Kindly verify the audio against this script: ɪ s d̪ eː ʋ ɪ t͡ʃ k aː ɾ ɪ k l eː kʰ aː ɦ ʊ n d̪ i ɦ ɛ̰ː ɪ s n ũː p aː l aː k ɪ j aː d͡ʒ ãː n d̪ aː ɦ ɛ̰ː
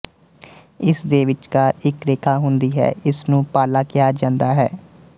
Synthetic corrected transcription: ɪ s d̪ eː ʋ ɪ t͡ʃ k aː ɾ ɪ k ɾ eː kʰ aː ɦ ʊ n d̪ iː ɦ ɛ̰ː ɪ s n ũː p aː l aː k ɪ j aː d͡ʒ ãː n d̪ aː ɦ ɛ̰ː